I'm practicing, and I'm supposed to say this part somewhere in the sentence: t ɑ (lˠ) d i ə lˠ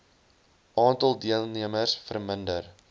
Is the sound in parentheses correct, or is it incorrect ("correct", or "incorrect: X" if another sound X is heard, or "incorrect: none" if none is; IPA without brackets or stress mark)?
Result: correct